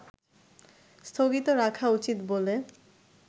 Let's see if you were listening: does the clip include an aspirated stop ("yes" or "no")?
yes